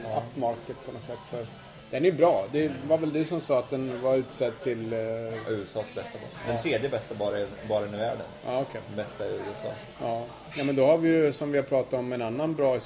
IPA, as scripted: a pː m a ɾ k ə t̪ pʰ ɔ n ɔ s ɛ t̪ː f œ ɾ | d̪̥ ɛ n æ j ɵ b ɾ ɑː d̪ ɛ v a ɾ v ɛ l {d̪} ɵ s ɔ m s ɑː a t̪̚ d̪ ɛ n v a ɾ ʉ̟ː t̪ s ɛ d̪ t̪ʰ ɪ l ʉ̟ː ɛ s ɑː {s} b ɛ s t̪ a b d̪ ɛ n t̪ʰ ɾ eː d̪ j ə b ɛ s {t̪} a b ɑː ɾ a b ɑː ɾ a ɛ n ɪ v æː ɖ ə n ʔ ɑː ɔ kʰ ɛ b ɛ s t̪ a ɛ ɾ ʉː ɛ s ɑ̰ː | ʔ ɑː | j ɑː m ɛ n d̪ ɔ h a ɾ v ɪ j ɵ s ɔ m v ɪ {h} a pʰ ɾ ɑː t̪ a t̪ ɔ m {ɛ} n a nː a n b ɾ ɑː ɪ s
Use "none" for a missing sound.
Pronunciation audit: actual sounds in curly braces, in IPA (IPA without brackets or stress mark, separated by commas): d̪, s, t̪, h, ɛ